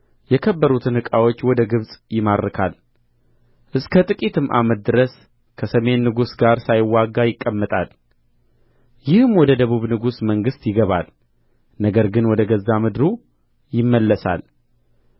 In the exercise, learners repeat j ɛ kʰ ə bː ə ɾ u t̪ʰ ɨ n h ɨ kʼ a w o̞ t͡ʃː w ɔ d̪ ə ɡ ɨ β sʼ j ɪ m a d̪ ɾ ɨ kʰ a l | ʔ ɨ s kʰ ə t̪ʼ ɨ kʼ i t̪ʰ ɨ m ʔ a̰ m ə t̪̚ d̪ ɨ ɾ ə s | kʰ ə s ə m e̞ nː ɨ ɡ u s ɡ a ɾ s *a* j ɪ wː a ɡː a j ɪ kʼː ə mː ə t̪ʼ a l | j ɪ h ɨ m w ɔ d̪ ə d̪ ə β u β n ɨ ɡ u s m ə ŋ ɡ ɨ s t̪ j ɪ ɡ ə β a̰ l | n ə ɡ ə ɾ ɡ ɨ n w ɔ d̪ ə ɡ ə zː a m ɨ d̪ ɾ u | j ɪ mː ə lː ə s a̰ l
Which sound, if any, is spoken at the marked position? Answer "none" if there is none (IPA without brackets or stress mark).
a